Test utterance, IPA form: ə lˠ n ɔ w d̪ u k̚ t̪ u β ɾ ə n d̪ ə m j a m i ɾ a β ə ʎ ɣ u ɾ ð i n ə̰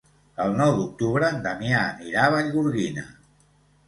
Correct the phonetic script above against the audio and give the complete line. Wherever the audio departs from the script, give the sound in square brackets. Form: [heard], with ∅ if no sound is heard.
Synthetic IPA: ə lˠ n ɔ w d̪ u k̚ t̪ u β ɾ ə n d̪ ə m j a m i ɾ a β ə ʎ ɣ u ɾ [ɣ] i n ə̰